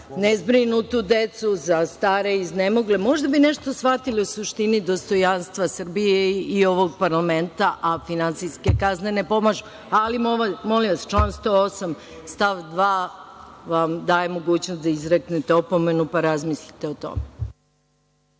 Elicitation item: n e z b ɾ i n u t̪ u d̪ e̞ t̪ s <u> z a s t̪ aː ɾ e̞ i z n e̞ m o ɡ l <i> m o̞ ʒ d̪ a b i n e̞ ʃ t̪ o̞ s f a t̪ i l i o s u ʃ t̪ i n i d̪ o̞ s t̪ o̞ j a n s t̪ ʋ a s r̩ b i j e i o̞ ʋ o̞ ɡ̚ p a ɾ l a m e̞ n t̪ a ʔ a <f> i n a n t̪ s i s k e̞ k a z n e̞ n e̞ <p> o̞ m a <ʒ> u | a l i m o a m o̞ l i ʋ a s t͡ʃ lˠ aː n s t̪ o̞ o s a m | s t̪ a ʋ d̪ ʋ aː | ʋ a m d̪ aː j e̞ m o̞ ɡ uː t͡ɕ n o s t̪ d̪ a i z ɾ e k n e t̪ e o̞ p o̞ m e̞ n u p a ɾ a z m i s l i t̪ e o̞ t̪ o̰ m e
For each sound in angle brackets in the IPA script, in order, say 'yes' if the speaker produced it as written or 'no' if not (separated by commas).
yes, no, yes, yes, yes